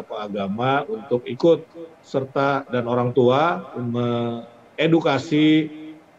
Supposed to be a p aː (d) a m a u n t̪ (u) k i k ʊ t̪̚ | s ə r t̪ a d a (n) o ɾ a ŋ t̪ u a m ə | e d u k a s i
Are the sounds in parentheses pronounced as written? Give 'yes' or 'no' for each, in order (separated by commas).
no, no, yes